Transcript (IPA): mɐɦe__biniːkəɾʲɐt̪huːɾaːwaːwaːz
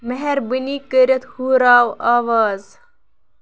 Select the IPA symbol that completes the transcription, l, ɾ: ɾ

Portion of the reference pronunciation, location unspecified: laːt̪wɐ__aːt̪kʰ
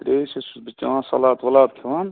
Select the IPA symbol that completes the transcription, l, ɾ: l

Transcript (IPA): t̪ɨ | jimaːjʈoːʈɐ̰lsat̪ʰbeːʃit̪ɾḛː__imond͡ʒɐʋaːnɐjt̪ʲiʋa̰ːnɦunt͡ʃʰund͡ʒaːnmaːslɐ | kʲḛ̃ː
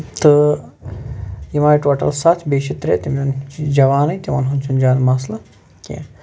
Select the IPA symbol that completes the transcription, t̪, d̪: t̪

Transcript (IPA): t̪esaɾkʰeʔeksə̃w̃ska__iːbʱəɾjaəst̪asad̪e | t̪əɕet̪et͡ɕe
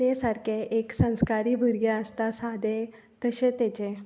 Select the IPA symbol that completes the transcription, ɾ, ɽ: ɾ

